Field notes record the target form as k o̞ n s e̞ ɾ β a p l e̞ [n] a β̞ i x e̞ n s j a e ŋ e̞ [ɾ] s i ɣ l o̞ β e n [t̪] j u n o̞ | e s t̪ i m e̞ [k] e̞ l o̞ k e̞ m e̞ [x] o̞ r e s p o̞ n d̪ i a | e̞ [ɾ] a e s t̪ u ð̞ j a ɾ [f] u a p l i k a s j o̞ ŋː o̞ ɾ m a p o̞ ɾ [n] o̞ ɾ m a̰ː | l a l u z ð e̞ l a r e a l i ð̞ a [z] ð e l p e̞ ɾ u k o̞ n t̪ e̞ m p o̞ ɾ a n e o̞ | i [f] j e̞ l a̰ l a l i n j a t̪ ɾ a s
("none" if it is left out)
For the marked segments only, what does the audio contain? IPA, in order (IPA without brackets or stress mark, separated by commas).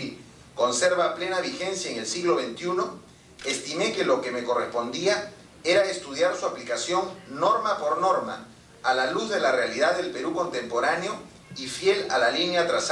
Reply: n, l, t̪, k, k, ɾ, s, n, ð, f